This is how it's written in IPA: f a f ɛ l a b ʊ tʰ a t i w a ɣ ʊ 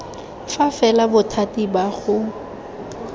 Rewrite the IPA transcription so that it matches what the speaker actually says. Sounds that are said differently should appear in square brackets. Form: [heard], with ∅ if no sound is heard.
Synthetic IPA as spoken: f a f ɛ l a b ʊ tʰ a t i [b] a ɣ ʊ